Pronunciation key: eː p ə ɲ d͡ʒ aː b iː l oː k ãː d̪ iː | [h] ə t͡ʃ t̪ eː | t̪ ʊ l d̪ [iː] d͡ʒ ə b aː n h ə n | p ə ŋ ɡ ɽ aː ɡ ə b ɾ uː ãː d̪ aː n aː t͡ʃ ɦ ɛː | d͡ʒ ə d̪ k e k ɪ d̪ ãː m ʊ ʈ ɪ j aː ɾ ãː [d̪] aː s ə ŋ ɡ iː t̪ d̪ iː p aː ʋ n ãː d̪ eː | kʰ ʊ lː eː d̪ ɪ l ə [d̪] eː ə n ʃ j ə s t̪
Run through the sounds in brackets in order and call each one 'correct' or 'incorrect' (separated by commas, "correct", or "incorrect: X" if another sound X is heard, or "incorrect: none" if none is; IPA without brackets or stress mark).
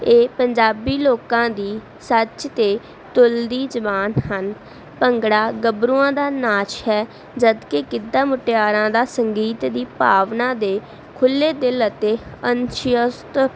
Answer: incorrect: s, correct, correct, incorrect: t̪